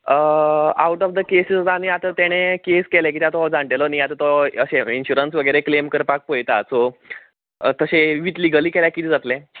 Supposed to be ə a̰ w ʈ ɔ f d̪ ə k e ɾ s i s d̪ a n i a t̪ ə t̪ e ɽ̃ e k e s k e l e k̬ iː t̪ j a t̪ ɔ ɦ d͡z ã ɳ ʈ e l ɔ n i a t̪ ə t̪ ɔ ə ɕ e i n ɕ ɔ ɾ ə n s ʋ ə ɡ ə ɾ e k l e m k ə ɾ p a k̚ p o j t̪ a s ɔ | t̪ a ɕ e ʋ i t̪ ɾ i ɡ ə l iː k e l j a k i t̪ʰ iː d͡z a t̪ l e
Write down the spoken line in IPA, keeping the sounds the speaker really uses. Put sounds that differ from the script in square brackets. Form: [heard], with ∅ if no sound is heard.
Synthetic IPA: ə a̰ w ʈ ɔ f d̪ ə k e [∅] s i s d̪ a n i a t̪ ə t̪ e ɽ̃ e k e s k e l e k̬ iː t̪ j a t̪ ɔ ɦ d͡z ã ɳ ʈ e l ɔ n i a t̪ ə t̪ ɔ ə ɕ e i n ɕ [u] ɾ ə n s ʋ ə ɡ ə ɾ e k l e m k ə ɾ p a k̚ p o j t̪ a s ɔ | t̪ [ə] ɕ e ʋ i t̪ [l] i ɡ ə l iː k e l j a k i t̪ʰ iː d͡z a t̪ l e